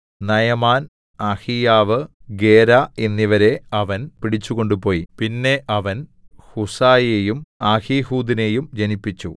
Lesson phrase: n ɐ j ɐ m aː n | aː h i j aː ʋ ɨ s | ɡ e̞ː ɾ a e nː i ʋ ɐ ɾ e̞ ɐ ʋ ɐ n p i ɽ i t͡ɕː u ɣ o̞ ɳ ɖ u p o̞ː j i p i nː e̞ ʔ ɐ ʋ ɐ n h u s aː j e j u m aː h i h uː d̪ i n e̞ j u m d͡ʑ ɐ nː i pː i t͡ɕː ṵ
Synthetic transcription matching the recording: n ɐ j ɐ m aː n | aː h i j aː ʋ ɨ | ɡ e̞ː ɾ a e nː i ʋ ɐ ɾ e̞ ɐ ʋ ɐ n p i ɽ i t͡ɕː u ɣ o̞ ɳ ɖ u p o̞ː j i p i nː e̞ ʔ ɐ ʋ ɐ n h u s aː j e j u m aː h i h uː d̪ i n e̞ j u m d͡ʑ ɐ n i pː i t͡ɕː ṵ